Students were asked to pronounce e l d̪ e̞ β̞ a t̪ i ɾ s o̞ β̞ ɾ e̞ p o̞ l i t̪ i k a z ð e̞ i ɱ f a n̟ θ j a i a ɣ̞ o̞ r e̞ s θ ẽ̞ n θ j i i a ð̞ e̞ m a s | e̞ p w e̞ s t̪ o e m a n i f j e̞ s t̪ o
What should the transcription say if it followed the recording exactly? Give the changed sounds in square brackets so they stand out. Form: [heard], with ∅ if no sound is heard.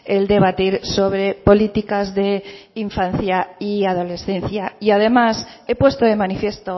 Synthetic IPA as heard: e l d̪ e̞ β̞ a t̪ i ɾ s o̞ β̞ ɾ e̞ p o̞ l i t̪ i k a z ð e̞ i ɱ f a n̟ θ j a i a [ð̞] o̞ [l] e̞ s θ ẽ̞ n θ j [a] i a ð̞ e̞ m a s | e̞ p w e̞ s t̪ o e m a n i f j e̞ s t̪ o